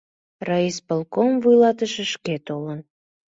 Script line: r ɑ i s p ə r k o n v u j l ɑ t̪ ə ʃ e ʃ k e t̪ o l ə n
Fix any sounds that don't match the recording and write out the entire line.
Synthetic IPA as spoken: r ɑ i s p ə l k o m v u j l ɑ t̪ ə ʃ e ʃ k e t̪ o l ə n

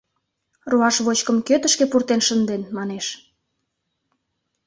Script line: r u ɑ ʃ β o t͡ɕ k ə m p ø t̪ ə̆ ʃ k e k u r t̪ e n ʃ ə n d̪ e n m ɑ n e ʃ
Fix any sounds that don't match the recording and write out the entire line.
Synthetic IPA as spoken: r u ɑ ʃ β o t͡ɕ k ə m k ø t̪ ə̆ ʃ k e p u r t̪ e n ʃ ə n d̪ e n m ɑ n e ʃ

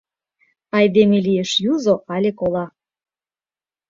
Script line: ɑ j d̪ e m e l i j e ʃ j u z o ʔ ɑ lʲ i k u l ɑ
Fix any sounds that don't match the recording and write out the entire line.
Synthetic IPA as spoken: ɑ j d̪ e m e l i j e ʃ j u z o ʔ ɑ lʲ e k o l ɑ

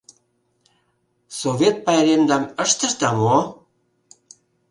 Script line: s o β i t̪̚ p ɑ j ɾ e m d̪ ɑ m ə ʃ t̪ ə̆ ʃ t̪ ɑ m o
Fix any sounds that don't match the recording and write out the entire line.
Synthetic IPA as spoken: s o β e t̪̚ p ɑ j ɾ e m d̪ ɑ m ə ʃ t̪ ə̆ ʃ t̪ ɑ m o

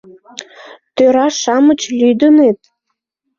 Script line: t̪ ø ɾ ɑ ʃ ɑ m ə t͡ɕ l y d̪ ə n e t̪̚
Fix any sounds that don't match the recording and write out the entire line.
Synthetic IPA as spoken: t̪ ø ɾ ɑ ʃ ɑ m ə t͡ɕ l y d̪ ə n e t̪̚

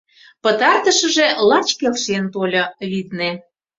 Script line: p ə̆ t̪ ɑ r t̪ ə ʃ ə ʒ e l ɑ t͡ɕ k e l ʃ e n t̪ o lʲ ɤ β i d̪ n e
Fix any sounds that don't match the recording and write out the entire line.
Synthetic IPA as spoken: p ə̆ t̪ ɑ r t̪ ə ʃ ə ʒ e l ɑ t͡ɕ k e l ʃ e n t̪ o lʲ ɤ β i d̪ n e

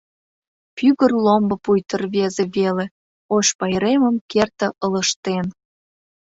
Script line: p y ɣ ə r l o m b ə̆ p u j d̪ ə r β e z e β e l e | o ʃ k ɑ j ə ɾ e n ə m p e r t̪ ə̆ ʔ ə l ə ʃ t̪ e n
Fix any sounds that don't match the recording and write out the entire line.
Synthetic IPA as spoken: p y ɣ ə r l o m b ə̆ p u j t̪ ə r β e z e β e l e | o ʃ p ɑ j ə ɾ e m ə m k e r t̪ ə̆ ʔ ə l ə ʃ t̪ e n

